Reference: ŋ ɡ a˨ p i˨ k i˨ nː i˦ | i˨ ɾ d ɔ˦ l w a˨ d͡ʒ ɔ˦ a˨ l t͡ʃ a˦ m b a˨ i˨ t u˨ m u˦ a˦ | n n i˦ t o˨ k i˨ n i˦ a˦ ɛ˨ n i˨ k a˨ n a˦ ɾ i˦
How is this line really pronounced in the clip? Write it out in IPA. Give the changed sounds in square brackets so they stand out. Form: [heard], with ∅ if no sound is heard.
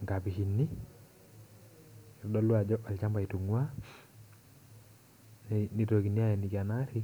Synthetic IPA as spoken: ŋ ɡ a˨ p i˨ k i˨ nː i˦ | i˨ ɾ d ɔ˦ l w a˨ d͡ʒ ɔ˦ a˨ l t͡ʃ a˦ m b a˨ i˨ t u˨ [ŋ] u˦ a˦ | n n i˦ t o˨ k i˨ n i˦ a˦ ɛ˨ n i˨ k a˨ n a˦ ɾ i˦